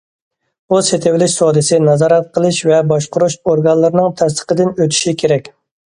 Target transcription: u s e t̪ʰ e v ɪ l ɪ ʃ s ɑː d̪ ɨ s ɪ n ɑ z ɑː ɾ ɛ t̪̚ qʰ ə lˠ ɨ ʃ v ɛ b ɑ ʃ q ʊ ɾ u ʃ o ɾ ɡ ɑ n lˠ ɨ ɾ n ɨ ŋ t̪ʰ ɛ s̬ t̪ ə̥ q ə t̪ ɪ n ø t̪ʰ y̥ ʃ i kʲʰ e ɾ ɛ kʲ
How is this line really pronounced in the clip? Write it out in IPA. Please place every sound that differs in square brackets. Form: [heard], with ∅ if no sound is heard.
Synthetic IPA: u s e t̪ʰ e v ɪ l ɪ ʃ s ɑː d̪ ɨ s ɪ n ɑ z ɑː ɾ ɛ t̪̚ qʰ ə lˠ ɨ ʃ v ɛ b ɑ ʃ q ʊ ɾ u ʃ o ɾ ɡ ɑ n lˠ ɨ ɾ n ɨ ŋ t̪ʰ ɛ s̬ t̪ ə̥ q ə [d̪] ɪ n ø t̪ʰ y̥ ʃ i kʲʰ e ɾ ɛ kʲ